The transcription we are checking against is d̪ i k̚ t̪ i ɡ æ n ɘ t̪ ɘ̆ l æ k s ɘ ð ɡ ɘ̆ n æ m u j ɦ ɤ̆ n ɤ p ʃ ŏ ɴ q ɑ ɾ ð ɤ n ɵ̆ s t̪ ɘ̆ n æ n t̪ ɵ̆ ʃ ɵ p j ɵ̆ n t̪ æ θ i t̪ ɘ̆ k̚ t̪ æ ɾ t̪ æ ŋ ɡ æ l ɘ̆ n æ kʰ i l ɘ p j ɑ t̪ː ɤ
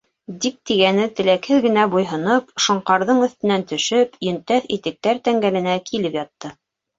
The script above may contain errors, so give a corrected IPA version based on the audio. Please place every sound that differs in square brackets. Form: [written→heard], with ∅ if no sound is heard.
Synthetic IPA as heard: d̪ i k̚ t̪ i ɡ æ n ɘ t̪ ɘ̆ l æ k [s→h] ɘ ð ɡ ɘ̆ n æ [m→b] u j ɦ ɤ̆ n ɤ p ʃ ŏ ɴ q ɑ ɾ ð ɤ [n→ɴ] ɵ̆ [s→θ] t̪ ɘ̆ n æ n t̪ ɵ̆ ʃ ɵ p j ɵ̆ n t̪ æ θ i t̪ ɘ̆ k̚ t̪ æ ɾ t̪ æ ŋ ɡ æ l ɘ̆ n æ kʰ i l ɘ p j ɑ t̪ː ɤ